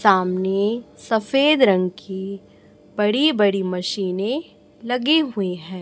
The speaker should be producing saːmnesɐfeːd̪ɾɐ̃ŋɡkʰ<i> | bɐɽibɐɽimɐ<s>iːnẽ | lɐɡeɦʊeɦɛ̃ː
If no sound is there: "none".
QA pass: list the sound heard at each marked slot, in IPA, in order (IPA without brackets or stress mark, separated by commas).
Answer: i, ʃ